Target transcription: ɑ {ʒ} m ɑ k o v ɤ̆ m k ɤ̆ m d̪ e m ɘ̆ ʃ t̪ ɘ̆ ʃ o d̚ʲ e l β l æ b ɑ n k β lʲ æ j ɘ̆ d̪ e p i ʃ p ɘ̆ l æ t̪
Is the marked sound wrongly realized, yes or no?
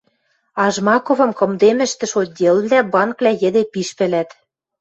no